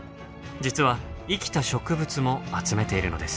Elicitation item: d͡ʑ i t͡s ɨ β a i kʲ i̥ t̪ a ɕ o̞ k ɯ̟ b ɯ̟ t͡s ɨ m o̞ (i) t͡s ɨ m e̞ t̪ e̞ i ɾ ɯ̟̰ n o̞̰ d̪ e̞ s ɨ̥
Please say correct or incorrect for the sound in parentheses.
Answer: incorrect: a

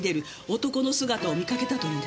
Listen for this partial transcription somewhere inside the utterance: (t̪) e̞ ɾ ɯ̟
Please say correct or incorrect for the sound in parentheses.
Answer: incorrect: d̪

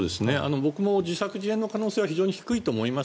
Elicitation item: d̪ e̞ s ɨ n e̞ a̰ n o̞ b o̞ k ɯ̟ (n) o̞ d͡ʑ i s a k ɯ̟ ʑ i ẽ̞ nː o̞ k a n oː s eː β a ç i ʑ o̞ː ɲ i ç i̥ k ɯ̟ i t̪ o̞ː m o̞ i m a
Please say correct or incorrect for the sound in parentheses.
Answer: incorrect: m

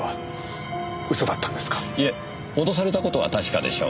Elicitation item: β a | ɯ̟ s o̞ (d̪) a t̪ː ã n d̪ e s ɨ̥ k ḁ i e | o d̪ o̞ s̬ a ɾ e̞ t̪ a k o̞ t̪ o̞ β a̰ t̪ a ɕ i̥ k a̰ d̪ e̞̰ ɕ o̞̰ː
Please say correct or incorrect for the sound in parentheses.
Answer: correct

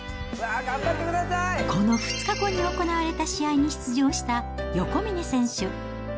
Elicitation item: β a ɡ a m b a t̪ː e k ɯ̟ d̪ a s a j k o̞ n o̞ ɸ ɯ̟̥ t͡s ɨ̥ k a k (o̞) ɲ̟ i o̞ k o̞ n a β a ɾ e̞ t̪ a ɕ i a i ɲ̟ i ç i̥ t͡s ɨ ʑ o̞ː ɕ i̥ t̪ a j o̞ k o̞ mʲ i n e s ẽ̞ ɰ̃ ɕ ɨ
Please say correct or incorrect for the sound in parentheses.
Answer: correct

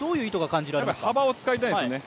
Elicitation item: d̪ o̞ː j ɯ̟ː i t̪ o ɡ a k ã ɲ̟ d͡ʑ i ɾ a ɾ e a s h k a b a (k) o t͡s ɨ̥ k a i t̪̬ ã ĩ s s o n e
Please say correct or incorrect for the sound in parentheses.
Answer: incorrect: none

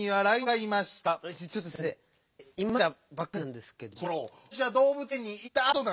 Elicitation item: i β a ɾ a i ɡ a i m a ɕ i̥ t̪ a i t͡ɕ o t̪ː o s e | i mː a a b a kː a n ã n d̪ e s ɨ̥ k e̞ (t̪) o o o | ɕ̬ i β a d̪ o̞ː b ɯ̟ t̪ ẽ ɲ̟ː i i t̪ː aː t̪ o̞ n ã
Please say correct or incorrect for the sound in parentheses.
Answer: incorrect: d̪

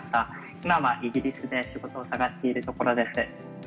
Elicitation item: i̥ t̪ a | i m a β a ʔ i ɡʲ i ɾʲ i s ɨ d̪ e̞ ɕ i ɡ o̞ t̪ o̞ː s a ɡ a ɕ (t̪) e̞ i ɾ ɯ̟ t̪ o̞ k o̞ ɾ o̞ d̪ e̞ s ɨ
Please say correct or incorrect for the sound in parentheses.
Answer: correct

